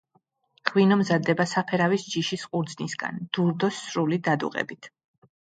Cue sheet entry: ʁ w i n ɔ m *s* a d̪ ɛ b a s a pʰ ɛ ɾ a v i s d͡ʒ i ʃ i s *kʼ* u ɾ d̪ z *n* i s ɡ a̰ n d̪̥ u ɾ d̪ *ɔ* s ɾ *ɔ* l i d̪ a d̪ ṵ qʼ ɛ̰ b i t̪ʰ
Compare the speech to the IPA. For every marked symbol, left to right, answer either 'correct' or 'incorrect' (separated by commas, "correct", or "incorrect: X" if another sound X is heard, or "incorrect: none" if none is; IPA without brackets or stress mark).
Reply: incorrect: z, incorrect: qʼ, correct, correct, incorrect: u